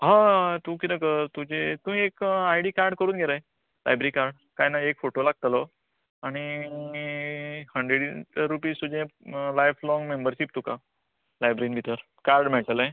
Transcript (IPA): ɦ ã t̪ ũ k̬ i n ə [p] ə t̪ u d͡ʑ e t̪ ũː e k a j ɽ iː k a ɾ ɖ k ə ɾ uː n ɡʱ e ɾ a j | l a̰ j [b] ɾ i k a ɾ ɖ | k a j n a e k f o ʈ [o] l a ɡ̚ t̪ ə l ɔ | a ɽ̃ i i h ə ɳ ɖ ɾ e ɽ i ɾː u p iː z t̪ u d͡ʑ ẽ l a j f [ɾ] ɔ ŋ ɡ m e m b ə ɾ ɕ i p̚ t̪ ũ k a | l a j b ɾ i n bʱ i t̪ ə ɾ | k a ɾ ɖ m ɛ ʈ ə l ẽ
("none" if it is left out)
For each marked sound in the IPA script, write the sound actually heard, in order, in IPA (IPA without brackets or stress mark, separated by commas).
k, b, o, l